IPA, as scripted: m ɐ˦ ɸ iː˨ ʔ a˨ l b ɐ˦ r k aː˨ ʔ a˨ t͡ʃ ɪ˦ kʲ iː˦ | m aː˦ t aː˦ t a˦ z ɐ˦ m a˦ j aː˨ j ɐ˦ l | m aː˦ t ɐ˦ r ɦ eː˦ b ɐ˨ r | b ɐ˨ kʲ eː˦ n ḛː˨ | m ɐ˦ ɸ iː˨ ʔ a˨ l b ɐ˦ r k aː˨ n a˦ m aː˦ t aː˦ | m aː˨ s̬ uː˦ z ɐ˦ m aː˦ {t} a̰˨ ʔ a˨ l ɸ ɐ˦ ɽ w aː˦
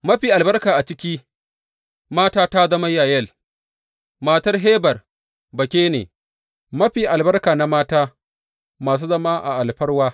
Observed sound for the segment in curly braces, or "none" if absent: ʔ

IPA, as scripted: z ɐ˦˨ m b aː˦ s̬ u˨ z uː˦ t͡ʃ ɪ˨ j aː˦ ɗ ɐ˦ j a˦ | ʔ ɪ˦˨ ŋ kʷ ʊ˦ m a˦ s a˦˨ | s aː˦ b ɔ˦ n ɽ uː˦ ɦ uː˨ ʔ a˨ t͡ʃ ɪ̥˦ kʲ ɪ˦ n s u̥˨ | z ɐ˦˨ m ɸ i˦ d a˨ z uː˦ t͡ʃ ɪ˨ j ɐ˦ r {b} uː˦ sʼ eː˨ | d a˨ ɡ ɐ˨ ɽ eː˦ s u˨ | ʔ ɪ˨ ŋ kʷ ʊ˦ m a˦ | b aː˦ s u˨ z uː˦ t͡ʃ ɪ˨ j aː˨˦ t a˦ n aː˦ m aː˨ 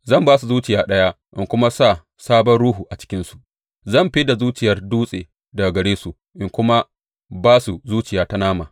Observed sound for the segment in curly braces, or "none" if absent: d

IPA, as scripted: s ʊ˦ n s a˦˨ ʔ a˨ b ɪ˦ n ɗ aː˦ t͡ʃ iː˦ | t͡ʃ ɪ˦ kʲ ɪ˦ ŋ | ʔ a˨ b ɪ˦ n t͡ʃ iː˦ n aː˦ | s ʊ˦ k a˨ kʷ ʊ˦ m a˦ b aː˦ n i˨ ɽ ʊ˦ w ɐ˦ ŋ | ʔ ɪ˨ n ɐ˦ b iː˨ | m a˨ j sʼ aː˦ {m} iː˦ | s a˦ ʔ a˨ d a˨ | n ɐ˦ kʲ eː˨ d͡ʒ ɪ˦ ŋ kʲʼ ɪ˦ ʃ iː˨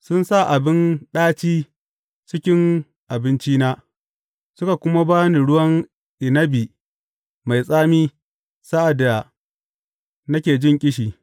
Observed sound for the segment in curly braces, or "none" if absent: m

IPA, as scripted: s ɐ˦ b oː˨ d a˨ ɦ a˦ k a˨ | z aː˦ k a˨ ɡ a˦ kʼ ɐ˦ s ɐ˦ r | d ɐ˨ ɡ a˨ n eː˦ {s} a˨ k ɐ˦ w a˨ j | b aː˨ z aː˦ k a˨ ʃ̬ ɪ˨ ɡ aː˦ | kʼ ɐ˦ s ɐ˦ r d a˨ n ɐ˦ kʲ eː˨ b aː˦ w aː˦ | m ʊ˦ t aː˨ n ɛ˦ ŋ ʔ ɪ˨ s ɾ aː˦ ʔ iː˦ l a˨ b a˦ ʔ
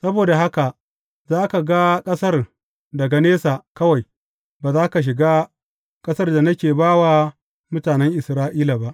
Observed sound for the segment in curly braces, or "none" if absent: s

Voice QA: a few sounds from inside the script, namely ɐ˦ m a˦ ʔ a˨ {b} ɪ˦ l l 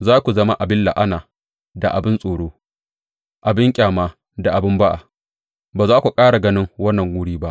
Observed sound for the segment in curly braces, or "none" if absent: b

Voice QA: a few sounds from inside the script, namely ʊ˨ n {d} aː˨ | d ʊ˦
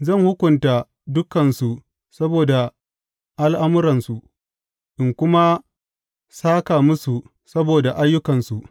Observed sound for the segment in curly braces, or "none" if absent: t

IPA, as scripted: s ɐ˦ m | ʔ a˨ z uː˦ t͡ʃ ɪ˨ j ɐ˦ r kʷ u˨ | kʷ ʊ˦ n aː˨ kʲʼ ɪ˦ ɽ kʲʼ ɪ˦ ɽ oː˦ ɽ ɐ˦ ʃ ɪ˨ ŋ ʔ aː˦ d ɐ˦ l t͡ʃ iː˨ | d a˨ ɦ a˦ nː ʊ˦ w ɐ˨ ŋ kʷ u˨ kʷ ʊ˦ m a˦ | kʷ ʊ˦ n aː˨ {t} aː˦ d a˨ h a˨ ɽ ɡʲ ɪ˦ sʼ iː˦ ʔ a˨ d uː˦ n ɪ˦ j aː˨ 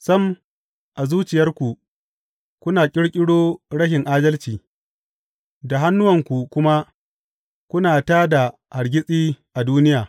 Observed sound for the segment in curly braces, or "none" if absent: t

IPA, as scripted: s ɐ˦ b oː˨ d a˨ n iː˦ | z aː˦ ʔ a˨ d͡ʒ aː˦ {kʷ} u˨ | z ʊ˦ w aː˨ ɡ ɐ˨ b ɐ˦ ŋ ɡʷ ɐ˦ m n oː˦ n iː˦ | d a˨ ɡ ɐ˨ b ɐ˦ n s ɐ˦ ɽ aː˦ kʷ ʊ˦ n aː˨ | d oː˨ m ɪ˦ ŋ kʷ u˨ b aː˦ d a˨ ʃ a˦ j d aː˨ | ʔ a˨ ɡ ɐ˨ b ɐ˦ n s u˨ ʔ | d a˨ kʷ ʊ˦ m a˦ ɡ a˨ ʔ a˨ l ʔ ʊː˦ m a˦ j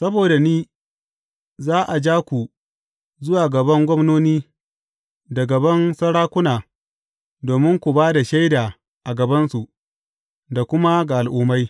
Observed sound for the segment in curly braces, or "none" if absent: kʷ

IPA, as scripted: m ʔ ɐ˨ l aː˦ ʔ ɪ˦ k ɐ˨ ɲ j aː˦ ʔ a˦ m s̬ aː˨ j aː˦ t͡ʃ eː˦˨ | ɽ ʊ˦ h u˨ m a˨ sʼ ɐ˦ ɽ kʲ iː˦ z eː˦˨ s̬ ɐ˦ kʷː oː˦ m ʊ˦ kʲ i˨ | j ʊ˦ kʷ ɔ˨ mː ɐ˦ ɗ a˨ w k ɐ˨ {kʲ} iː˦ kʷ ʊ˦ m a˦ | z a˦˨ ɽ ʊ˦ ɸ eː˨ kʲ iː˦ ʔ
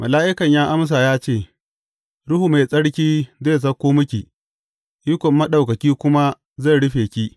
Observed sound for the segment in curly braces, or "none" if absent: kʲ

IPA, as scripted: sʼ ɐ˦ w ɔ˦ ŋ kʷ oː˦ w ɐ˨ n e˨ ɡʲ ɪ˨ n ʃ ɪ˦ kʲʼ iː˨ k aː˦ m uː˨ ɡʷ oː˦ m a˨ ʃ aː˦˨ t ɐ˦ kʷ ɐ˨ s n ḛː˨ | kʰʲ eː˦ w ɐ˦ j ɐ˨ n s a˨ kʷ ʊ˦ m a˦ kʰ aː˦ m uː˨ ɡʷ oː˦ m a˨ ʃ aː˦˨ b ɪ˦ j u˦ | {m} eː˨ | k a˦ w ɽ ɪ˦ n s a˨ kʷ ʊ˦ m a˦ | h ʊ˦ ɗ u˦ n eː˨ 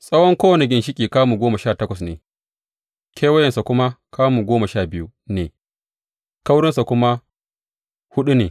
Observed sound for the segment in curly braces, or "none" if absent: n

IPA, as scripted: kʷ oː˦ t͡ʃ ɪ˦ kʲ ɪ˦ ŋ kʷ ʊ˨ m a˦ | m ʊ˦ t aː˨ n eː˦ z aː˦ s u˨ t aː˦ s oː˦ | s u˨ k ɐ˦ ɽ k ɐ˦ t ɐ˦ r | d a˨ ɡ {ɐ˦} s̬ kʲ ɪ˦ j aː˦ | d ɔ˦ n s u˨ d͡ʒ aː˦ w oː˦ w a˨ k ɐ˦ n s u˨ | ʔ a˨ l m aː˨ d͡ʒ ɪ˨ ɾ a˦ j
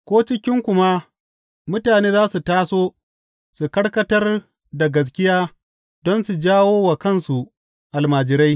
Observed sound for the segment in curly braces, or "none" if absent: ɐ˨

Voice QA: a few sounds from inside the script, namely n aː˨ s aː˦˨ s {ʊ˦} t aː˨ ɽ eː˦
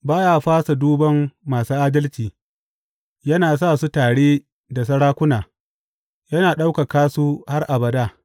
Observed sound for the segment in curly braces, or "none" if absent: u˦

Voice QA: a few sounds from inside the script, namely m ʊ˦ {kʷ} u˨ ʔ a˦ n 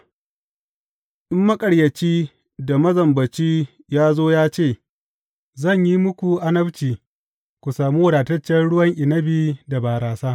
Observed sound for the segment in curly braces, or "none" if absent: kʷ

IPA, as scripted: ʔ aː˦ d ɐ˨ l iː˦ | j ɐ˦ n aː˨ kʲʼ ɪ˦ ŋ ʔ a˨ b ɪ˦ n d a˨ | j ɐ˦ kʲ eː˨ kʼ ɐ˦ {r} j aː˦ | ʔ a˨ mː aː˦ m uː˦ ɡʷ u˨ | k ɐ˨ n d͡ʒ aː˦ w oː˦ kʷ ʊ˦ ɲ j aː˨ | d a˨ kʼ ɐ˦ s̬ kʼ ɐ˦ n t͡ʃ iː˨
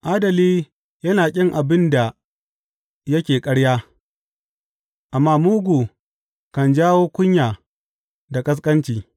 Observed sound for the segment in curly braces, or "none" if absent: ɽ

